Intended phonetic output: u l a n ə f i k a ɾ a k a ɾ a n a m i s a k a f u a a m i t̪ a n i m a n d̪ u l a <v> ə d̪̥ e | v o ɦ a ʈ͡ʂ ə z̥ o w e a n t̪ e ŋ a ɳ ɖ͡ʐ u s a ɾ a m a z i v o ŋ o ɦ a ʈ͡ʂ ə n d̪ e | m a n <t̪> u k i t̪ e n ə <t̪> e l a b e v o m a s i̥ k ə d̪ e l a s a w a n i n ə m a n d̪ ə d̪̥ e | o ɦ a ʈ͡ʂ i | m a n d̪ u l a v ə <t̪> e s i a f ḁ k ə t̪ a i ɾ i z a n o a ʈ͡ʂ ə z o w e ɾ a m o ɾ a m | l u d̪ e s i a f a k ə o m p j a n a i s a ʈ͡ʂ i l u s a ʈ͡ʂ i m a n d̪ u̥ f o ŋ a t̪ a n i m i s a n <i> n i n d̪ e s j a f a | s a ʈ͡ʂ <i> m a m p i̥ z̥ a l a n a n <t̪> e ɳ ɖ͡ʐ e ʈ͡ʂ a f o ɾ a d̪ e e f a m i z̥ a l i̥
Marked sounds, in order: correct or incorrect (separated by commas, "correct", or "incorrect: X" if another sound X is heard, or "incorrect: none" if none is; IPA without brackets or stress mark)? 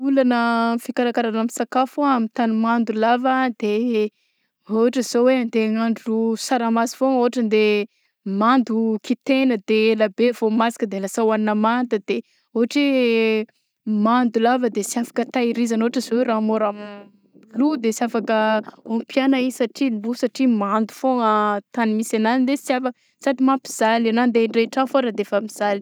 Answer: correct, incorrect: d̪, incorrect: d̪, incorrect: d̪, incorrect: a, correct, incorrect: d̪